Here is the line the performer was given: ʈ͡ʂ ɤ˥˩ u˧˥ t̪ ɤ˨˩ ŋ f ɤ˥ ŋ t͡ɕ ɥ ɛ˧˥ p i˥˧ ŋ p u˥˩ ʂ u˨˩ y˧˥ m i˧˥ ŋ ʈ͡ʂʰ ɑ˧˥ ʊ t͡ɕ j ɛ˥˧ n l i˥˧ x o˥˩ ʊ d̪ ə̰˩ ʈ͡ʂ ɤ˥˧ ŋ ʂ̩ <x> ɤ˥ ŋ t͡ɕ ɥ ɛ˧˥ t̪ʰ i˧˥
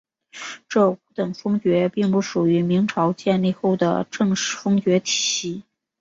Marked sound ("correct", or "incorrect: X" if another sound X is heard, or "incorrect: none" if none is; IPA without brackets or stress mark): incorrect: f